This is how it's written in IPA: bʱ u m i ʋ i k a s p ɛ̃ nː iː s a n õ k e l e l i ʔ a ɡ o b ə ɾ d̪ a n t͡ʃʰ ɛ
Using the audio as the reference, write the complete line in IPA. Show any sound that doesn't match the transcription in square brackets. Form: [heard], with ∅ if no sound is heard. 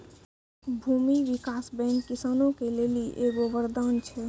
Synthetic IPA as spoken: bʱ u m i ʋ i k a s [b] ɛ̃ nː [i] s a n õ k e l e l i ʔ [e] ɡ o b ə ɾ d̪ a n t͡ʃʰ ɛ